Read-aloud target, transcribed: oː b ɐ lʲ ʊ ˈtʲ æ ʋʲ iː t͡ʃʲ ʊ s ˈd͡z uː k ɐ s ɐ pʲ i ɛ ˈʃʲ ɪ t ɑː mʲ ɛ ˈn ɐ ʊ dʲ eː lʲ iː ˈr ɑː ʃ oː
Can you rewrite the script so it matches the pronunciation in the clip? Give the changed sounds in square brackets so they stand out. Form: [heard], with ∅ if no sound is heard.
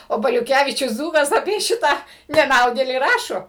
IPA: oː b ɐ lʲ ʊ [ˈkʲ] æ ʋʲ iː t͡ʃʲ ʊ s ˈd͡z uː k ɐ s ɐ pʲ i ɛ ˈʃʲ ɪ t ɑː [nʲ] ɛ ˈn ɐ ʊ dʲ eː lʲ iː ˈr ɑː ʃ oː